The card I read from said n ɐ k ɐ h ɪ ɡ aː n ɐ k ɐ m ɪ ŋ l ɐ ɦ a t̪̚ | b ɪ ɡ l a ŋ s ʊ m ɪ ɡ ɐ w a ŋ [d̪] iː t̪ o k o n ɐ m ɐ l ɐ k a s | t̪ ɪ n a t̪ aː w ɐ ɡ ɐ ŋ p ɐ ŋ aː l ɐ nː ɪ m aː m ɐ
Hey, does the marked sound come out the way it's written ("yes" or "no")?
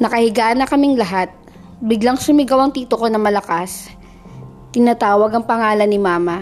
no